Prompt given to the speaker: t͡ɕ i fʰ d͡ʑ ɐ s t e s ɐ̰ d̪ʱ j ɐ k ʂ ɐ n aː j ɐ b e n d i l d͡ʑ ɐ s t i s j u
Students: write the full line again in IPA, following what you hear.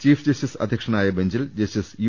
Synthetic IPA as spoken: t͡ɕ iː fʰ d͡ʑ ɐ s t i s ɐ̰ d̪ʱ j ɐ k ʂ ɐ n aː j ɐ b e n d͡ʑ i l d͡ʑ ɐ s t i s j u